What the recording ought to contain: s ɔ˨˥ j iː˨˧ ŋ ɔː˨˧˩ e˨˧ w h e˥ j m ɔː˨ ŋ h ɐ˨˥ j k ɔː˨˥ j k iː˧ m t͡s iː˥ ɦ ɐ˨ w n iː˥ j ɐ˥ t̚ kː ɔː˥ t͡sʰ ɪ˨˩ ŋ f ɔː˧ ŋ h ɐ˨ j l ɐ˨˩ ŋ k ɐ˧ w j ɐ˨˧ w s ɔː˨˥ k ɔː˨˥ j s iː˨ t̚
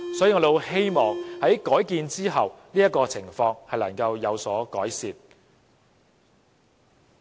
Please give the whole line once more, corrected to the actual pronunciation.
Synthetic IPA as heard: s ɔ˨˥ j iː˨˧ ŋ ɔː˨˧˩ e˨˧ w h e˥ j m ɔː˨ ŋ h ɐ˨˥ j k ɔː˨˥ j k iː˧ n t͡s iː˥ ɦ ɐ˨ w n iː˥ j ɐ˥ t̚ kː ɔː˧ t͡sʰ ɪ˨˩ ŋ f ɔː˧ ŋ h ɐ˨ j l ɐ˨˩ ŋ k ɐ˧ w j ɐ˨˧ w s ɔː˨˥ k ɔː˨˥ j s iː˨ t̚